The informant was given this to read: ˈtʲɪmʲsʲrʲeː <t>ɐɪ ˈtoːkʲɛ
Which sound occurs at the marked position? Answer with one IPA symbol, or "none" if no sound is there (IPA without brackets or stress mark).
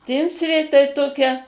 t